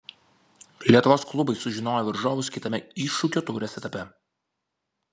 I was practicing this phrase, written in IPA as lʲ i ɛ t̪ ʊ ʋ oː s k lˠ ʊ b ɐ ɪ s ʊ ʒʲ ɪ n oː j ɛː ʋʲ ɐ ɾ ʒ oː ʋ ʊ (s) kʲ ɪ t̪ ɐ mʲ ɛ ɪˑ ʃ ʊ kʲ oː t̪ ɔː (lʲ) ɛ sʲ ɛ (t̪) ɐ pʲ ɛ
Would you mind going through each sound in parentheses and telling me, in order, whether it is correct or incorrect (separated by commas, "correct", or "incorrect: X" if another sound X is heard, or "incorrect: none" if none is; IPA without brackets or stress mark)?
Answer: correct, incorrect: ɾʲ, correct